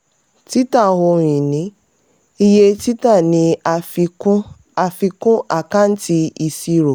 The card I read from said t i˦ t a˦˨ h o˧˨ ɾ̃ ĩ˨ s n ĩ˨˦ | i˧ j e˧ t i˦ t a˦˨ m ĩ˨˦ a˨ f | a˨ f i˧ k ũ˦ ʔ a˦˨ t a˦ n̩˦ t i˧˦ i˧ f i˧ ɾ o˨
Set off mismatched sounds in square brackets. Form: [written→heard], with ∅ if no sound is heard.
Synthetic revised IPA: t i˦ t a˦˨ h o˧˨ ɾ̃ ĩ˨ [s→∅] n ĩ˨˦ | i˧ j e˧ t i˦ t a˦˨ [m→n] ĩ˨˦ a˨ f | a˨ f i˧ k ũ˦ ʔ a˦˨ [t→k] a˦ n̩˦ t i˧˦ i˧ [f→s] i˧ ɾ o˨